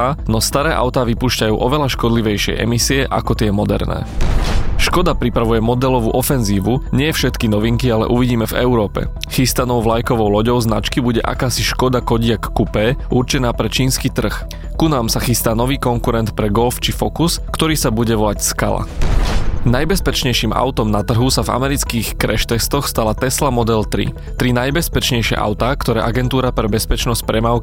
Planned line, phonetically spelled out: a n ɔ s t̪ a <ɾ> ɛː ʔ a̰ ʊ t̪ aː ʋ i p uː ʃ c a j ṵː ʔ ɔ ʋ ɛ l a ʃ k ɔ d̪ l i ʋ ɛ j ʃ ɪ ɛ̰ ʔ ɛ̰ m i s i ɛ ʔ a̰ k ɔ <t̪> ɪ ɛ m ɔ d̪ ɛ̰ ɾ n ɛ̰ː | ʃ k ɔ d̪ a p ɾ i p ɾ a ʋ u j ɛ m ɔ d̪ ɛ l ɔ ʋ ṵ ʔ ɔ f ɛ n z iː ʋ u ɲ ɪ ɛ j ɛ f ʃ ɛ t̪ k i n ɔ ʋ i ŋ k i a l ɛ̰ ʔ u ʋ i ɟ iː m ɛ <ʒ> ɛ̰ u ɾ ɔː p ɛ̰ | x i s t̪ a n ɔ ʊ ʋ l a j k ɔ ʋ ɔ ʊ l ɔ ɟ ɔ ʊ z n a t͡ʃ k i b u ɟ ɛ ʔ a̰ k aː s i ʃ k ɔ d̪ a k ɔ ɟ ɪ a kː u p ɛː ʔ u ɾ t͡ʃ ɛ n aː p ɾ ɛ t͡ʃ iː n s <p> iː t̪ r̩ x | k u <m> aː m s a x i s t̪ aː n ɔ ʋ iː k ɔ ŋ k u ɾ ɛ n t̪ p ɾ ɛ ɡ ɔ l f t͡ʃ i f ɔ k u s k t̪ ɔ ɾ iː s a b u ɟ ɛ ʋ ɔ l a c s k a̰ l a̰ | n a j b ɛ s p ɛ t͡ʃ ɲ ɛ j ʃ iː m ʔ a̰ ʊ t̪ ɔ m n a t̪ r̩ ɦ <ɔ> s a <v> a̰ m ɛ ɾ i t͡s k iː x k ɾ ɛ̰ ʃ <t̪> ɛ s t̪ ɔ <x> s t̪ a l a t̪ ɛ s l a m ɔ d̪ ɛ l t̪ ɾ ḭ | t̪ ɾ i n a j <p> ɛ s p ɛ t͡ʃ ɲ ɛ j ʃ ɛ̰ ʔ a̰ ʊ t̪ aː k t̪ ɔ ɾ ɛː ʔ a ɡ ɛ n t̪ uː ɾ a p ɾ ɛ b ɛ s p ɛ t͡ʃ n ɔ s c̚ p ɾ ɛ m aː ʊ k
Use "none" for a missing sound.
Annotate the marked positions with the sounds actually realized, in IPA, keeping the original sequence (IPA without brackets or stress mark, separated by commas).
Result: ɾ, t̪, v, k, n, u, v, t̪, x, b